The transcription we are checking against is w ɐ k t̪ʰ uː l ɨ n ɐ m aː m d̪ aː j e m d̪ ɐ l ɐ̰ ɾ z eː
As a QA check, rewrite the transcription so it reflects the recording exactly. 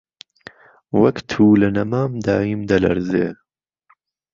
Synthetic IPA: w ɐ k t̪ʰ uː l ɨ n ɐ m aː m d̪ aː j i m d̪ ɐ l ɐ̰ ɾ z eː